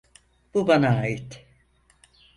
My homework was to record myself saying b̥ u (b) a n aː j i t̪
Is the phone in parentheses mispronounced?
no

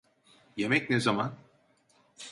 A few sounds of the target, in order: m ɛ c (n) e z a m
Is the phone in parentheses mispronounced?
no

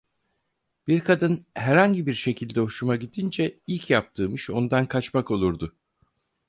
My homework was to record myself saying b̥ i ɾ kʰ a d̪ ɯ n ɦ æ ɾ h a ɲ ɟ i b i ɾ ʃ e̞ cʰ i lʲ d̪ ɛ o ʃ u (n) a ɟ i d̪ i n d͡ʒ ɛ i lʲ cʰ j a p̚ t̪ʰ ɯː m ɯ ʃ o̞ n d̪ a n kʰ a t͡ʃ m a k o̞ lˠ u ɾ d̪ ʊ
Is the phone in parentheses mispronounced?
yes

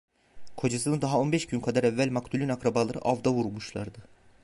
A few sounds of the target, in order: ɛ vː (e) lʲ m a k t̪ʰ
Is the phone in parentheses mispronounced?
yes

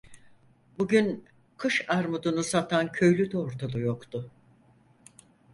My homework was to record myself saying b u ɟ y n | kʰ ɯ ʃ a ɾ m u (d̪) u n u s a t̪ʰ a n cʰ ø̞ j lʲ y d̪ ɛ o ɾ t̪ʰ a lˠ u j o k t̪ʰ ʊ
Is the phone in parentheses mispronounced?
no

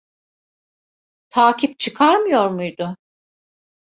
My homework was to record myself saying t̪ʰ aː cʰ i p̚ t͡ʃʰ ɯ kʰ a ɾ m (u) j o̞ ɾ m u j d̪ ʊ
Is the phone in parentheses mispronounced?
yes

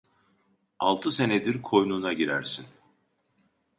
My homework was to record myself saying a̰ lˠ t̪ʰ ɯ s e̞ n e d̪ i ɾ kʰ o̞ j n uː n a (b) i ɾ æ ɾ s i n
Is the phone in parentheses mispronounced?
yes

